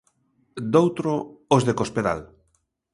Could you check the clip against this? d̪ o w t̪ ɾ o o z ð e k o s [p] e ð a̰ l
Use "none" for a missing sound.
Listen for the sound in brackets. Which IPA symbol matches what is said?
p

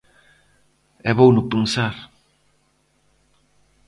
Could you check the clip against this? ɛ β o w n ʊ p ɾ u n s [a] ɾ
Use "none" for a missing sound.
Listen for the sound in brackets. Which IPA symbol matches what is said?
a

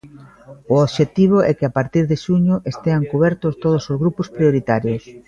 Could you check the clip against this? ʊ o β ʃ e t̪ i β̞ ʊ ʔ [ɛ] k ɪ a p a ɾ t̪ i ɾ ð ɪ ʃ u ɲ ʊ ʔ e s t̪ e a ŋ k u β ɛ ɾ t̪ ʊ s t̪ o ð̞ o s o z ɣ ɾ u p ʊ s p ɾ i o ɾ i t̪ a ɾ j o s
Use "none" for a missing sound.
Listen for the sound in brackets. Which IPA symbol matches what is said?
ɛ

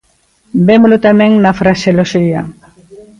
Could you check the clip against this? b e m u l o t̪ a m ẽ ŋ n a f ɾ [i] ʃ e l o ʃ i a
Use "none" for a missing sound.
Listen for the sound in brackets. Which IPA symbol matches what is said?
a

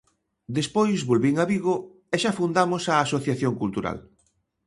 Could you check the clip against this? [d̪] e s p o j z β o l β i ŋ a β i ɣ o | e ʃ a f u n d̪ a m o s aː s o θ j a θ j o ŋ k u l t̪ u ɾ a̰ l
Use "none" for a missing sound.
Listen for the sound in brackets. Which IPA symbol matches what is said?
d̪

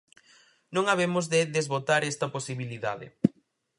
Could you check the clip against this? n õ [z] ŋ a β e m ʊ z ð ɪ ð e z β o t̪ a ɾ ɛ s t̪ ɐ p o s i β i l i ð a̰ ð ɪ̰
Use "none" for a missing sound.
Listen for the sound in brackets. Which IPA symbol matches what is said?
none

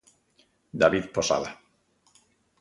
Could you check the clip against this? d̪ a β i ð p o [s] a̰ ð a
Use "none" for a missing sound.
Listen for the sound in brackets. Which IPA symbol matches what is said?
s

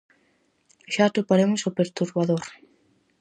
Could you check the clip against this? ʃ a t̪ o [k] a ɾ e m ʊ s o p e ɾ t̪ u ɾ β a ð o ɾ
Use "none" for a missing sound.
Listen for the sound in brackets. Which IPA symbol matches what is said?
p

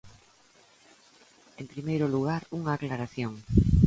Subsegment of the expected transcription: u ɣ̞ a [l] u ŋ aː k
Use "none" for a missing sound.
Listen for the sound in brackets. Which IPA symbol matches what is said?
ɾ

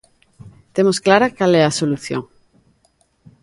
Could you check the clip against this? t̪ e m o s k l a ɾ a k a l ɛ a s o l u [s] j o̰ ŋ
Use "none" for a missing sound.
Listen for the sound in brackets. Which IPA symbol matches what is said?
θ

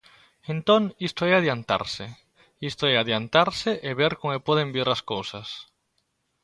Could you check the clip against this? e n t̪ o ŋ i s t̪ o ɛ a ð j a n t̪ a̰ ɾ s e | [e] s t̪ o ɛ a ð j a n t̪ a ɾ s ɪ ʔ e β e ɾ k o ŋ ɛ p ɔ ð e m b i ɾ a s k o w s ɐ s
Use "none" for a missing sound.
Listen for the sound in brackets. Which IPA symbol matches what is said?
i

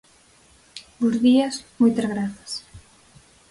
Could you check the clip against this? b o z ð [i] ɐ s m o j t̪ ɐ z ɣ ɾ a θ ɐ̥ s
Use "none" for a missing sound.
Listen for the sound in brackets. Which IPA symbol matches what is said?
i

